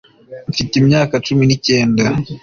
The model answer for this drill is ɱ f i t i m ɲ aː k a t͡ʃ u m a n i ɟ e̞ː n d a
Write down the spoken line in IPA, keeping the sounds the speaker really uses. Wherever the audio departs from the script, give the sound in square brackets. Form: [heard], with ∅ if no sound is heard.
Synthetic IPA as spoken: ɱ f i t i m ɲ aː k a t͡ʃ u m [i] n i [c] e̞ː n d a